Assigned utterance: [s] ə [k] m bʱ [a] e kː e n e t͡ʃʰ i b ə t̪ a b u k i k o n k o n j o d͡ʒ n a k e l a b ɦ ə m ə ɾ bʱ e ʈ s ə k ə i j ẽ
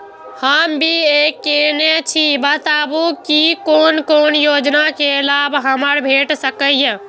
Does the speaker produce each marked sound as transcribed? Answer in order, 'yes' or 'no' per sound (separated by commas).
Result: no, no, no